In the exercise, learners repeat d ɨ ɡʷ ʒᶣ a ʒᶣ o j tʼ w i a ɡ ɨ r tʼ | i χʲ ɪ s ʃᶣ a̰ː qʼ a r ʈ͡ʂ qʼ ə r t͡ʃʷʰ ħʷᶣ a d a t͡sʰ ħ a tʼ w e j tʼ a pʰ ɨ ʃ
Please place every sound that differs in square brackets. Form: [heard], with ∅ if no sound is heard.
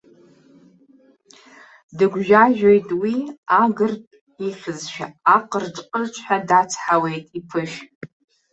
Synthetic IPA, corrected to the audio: d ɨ ɡʷ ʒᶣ a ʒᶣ o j tʼ w i a ɡ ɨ r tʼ | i χʲ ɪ [z] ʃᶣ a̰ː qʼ [ə] r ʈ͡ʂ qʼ ə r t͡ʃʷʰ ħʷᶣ a d a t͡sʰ ħ a [∅] w e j tʼ [i] pʰ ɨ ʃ